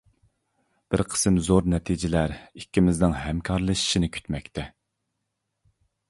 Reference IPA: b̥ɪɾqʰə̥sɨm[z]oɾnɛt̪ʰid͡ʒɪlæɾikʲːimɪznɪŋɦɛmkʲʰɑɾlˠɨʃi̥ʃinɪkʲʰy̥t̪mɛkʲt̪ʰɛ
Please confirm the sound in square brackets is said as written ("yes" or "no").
yes